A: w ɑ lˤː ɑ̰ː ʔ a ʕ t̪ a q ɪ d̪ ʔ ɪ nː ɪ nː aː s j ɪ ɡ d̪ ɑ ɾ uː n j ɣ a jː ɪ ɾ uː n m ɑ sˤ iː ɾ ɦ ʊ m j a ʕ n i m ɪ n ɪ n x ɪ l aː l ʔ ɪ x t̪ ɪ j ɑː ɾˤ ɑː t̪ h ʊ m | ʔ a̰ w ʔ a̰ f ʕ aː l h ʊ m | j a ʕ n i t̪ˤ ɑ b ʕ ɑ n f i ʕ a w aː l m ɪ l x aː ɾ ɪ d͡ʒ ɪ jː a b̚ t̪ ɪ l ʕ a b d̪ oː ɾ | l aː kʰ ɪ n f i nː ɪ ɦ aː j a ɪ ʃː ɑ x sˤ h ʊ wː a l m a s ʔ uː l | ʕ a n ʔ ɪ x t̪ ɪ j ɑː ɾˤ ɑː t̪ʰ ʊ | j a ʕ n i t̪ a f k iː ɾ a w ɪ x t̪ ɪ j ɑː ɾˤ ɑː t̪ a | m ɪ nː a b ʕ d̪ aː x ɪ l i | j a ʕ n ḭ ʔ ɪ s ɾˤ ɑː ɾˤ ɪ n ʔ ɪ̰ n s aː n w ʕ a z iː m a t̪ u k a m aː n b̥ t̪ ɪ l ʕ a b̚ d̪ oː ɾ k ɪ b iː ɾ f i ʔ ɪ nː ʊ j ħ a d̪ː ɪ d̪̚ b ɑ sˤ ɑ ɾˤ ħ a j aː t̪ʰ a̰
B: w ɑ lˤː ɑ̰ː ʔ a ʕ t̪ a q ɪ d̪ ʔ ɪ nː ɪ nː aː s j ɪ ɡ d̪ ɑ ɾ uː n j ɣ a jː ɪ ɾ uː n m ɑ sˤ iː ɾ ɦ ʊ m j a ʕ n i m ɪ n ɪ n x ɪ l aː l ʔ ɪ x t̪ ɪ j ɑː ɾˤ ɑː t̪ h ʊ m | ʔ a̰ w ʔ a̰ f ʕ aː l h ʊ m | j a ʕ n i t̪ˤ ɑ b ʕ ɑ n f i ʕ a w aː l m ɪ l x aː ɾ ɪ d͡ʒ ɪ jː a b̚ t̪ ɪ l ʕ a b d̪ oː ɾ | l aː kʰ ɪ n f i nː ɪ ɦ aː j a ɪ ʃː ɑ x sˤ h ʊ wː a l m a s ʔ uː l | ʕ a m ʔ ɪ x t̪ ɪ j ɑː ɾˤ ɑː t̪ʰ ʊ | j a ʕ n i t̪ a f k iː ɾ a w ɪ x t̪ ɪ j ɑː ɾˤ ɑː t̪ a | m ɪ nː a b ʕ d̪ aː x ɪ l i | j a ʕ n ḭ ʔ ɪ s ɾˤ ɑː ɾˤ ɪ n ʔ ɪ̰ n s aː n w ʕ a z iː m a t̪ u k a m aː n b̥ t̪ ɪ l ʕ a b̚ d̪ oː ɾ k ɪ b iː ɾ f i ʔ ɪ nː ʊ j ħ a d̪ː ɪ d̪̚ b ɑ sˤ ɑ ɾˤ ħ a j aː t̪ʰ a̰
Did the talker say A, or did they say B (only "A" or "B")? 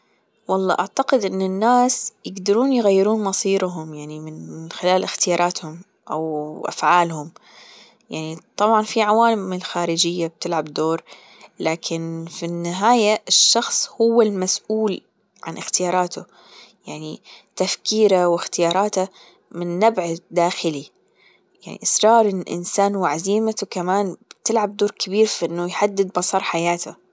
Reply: A